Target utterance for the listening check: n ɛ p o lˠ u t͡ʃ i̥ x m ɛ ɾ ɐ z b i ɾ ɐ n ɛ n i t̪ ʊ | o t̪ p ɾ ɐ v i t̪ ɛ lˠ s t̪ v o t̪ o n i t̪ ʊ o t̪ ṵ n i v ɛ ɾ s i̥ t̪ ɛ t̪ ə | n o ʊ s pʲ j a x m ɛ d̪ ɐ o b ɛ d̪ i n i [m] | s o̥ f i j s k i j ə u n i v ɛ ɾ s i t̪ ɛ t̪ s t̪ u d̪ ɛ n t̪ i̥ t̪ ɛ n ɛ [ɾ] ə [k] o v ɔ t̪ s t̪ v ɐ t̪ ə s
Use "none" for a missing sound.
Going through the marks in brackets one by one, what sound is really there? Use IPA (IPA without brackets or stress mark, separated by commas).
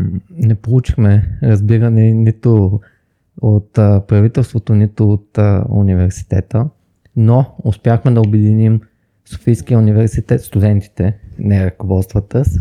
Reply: m, ɾ, k